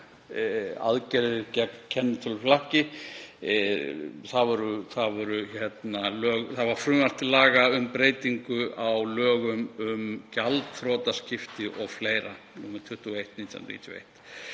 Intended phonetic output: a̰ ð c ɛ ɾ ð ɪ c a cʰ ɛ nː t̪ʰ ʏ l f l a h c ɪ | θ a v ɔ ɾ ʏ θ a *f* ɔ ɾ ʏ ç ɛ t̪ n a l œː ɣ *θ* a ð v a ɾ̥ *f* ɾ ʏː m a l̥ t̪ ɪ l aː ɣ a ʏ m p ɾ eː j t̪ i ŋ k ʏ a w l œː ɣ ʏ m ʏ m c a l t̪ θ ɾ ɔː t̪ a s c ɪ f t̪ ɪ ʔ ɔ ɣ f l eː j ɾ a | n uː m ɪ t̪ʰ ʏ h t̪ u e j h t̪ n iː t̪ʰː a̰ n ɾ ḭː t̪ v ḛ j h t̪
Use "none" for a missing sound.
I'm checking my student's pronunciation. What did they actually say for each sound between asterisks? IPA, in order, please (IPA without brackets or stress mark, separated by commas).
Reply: v, θ, f